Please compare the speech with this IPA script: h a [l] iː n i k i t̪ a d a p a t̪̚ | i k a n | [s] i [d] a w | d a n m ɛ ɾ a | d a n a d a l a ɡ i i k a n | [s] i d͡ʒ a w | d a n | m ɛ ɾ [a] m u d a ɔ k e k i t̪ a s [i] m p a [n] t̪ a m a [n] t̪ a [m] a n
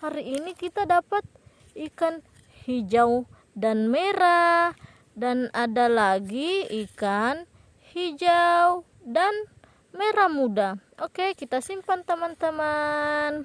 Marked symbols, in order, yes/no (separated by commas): no, no, no, no, yes, yes, yes, yes, yes